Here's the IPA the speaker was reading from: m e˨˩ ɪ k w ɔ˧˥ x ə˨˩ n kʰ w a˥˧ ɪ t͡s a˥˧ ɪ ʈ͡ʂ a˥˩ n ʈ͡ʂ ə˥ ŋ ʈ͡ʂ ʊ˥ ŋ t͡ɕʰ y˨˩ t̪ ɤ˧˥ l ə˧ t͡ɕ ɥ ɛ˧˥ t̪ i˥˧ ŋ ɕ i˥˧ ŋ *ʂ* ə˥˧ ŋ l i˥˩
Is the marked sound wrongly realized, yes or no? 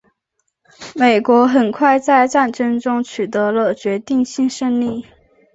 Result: no